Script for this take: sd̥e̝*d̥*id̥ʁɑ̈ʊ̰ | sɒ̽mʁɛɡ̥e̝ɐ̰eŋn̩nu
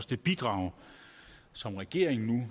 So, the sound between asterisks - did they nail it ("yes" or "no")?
no